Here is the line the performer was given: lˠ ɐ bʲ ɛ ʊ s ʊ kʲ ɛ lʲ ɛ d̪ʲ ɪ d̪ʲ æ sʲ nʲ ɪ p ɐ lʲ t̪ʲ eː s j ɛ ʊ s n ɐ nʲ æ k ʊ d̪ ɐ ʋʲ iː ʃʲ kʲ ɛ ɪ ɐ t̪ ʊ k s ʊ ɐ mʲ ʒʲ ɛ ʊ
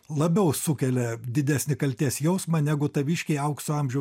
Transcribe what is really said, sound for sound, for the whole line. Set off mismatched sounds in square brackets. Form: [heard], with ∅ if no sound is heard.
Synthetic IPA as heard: lˠ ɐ bʲ ɛ ʊ s ʊ kʲ ɛ lʲ ɛ d̪ʲ ɪ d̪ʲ æ sʲ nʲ ɪ [k] ɐ lʲ t̪ʲ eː s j ɛ ʊ s [m] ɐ nʲ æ [ɡ] ʊ [t̪] ɐ ʋʲ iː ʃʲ kʲ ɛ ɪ ɐ [∅] ʊ k s ʊ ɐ mʲ ʒʲ ɛ ʊ